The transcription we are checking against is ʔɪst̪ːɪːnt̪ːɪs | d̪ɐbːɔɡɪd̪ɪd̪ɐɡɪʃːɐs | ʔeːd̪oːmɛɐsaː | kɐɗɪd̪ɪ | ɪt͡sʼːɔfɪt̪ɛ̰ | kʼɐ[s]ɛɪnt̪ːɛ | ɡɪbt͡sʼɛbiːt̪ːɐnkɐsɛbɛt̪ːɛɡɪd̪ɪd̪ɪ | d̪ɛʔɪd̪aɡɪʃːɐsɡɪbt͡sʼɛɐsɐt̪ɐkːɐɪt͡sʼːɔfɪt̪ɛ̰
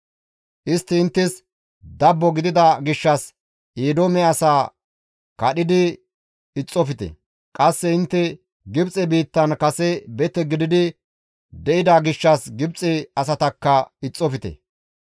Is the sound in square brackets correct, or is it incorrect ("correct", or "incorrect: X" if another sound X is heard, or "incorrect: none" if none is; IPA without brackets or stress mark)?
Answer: incorrect: sː